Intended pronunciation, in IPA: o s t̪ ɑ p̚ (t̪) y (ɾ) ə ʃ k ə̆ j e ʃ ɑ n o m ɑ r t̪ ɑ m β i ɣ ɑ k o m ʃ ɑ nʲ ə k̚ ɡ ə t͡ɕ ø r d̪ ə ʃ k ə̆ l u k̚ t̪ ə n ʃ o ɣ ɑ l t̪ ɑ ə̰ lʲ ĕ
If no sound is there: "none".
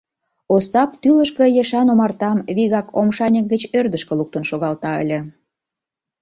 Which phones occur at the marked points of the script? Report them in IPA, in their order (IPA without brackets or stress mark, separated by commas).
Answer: t̪, l